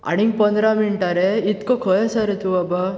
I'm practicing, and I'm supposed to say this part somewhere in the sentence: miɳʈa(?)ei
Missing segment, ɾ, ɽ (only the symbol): ɾ